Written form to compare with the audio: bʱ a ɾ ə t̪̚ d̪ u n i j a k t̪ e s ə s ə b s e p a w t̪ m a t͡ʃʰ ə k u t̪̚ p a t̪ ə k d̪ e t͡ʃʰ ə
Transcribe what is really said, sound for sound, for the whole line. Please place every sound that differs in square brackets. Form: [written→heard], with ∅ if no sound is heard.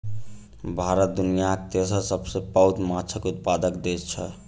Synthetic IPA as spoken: bʱ a ɾ ə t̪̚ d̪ u n i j a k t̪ e s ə s ə b s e p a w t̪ m a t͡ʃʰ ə k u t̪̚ p a [t̪→d̪] ə k d̪ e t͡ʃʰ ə